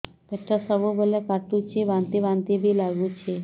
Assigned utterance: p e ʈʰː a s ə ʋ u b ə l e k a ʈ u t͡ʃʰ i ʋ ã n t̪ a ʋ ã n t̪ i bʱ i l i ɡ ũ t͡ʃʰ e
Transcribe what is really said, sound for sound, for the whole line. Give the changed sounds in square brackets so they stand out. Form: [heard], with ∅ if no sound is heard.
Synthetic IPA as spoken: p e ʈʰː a s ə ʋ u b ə l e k a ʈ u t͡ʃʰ i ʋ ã n t̪ [i] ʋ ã n t̪ i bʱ i l [a] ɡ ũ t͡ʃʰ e

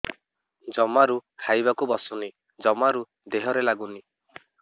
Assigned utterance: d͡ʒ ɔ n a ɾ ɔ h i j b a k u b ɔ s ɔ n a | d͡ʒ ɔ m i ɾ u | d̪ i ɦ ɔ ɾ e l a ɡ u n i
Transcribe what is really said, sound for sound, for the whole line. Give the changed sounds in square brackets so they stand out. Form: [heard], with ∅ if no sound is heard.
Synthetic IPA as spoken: d͡ʒ ɔ [m] a ɾ [u] h [a] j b a k u b ɔ s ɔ n [i] | d͡ʒ ɔ m [a] ɾ u | d̪ [e] ɦ ɔ ɾ e l a ɡ u n i

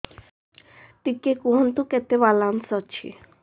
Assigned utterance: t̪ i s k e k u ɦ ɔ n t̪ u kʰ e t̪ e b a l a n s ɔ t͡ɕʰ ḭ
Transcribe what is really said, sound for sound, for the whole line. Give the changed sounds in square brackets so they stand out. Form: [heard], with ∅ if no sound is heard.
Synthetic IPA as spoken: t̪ i [∅] k e k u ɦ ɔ n t̪ u [k] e t̪ e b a l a n s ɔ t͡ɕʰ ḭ

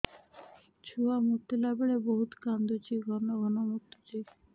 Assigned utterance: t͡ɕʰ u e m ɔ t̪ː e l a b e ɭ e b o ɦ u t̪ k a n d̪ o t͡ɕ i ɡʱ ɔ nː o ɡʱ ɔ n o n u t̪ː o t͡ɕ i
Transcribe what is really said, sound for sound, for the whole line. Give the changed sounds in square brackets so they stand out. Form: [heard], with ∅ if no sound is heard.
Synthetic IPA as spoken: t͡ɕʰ u [a] m [u] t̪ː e l a b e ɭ e b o ɦ u t̪ k a n d̪ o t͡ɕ i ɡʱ ɔ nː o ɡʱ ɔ n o [m] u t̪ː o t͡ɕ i

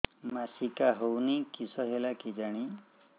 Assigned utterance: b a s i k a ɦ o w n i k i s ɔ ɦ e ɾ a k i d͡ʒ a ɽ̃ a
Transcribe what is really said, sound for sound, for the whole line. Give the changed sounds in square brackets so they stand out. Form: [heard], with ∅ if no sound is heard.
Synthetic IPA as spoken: [m] a s i k a ɦ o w n i k i s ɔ ɦ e [l] a k i d͡ʒ a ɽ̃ [i]

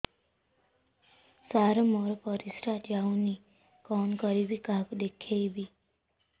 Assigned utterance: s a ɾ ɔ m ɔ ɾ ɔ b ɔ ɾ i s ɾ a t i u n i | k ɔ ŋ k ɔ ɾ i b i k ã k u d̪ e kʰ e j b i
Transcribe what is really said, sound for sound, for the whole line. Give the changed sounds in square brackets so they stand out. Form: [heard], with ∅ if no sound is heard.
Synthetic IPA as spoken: s a ɾ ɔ m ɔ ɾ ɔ [p] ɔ ɾ i s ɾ a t [a] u n i | k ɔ [n] k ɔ ɾ i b i k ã k u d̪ e kʰ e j b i

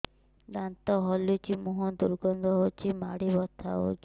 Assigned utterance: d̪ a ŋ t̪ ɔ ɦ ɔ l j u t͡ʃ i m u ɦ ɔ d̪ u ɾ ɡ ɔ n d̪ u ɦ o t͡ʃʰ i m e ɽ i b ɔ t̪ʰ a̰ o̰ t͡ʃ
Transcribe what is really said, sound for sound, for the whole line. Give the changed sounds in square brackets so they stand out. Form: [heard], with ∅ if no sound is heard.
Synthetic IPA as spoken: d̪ a [n] t̪ ɔ ɦ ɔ l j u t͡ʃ i m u ɦ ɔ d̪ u ɾ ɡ ɔ n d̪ [ɔ] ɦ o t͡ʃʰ i m [a] ɽ i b ɔ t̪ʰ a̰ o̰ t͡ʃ

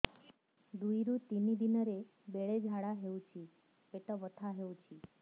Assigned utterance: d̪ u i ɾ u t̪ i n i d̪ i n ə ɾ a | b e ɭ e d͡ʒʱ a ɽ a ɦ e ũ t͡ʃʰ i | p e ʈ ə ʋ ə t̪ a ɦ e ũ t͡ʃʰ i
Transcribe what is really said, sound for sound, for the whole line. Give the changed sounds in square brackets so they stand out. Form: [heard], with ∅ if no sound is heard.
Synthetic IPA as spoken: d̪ u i ɾ u t̪ i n i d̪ i n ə ɾ [e] | b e ɭ e d͡ʒʱ a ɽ a ɦ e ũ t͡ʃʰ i | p e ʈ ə ʋ ə [t̪ʰ] a ɦ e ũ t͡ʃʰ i

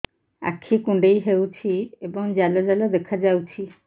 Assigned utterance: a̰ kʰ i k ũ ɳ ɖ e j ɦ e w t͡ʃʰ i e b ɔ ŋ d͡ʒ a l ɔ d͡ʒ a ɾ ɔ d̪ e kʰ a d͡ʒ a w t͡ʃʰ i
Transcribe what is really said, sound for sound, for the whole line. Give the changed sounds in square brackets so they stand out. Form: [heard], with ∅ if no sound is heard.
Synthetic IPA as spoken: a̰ kʰ i k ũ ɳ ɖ e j ɦ e w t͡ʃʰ i e b ɔ ŋ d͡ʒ a l ɔ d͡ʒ a [l] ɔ d̪ e kʰ a d͡ʒ a w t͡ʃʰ i

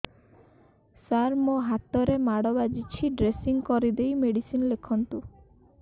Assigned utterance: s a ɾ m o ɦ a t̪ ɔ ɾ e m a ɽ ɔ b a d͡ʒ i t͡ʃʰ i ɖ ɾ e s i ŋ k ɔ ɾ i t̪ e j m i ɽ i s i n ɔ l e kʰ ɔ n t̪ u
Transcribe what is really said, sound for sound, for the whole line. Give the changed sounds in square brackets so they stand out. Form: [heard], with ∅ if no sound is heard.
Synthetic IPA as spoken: s a ɾ m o ɦ a t̪ ɔ ɾ e m a ɽ ɔ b a d͡ʒ i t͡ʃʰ i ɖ ɾ e s i ŋ k ɔ ɾ i [d̪] e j m [e] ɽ i s i n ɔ l e kʰ ɔ n t̪ u

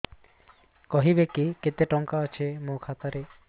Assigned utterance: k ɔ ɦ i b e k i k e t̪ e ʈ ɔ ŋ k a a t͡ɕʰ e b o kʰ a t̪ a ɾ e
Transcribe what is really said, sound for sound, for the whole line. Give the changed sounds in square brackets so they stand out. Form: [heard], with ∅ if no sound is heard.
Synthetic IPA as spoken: k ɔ ɦ i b e k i k e t̪ e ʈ ɔ ŋ k a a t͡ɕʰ e [m] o kʰ a t̪ a ɾ e

